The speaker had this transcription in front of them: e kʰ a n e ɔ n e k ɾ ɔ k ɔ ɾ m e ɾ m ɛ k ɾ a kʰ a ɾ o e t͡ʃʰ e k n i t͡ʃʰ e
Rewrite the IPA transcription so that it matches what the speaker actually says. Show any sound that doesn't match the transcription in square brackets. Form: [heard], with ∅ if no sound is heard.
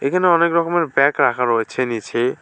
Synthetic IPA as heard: e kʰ a n e ɔ n e k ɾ ɔ k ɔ [∅] m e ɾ [b] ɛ k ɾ a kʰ a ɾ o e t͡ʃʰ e [∅] n i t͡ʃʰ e